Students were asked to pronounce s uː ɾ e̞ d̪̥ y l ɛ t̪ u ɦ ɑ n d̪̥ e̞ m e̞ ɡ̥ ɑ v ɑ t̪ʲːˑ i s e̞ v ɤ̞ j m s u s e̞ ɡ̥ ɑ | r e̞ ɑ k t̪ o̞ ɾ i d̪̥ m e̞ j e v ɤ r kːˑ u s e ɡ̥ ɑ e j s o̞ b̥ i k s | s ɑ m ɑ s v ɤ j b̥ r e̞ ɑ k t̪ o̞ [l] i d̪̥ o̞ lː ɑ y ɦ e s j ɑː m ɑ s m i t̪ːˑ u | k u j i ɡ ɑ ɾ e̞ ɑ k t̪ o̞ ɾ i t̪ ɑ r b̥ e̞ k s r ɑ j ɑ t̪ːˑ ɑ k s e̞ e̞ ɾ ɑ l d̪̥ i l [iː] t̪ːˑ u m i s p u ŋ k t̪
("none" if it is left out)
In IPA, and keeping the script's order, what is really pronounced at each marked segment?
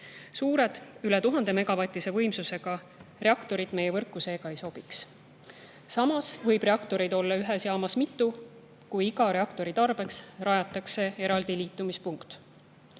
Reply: ɾ, iː

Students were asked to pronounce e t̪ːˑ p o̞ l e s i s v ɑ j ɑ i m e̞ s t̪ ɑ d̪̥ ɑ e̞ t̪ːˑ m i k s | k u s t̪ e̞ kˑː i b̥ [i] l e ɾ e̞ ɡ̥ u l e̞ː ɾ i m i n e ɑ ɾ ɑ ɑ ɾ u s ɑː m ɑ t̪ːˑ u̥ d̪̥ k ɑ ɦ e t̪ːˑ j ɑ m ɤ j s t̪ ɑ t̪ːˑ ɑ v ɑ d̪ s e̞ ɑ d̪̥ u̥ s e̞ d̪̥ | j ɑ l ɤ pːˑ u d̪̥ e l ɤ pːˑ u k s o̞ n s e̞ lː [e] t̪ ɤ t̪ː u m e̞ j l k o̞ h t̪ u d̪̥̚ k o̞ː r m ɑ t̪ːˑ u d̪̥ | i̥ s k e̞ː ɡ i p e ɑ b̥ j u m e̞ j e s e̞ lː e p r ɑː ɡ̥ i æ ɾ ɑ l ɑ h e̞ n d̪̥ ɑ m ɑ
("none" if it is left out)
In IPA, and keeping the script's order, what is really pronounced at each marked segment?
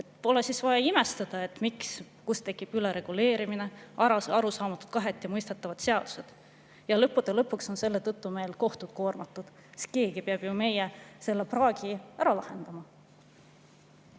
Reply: y, e

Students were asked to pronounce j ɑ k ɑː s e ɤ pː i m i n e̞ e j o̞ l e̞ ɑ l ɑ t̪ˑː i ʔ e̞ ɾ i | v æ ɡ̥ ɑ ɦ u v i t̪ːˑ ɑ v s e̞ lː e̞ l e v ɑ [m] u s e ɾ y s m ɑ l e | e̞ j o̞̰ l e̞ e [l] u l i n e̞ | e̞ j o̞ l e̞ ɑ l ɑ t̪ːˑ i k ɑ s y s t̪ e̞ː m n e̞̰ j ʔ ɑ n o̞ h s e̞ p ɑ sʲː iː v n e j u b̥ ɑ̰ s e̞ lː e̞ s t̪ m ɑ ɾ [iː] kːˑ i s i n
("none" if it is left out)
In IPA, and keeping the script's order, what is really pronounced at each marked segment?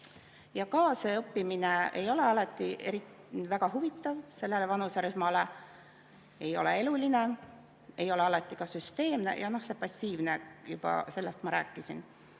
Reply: n, l, æː

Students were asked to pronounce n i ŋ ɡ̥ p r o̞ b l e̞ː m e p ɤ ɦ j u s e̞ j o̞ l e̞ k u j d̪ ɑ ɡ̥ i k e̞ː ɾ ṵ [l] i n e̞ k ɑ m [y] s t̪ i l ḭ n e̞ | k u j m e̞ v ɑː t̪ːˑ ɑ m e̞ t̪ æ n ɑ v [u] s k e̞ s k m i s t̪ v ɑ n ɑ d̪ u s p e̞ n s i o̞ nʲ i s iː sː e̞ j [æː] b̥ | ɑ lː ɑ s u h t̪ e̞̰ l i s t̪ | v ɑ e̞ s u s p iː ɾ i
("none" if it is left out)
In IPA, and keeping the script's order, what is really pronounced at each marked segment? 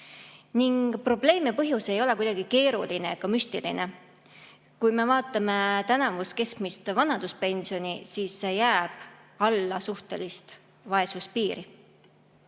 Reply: l, y, u, æː

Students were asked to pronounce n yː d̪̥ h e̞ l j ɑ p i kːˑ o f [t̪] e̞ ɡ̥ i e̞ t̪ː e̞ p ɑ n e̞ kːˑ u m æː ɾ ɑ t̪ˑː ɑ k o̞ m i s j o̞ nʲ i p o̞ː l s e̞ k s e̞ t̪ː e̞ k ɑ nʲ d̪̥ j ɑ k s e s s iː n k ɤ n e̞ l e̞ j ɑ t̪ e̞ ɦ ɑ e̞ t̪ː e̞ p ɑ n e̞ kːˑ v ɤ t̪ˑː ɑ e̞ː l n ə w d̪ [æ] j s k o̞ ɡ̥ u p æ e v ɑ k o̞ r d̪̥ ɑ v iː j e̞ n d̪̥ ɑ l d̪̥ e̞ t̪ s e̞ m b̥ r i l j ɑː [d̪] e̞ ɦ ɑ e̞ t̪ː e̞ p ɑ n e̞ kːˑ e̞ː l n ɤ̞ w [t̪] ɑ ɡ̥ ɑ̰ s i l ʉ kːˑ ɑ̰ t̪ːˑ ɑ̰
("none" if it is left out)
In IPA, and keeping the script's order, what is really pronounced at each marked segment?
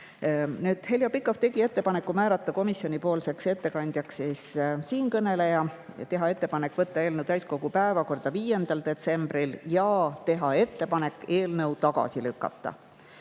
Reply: t̪, æ, t̪, t̪

